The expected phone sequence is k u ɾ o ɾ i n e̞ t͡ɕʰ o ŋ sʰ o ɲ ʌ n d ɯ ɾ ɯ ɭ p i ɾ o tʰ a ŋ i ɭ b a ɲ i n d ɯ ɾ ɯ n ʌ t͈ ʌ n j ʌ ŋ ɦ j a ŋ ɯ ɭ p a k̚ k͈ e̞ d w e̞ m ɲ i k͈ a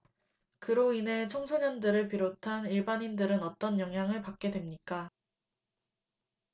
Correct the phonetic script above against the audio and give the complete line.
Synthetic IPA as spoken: k ɯ ɾ o i n e̞ t͡ɕʰ o ŋ sʰ o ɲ ʌ n d ɯ ɾ ɯ ɭ p i ɾ o tʰ a n i ɭ b a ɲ i n d ɯ ɾ ɯ n ʌ t͈ ʌ n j ʌ ŋ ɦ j a ŋ ɯ ɭ p a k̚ k͈ e̞ d w e̞ m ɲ i k͈ a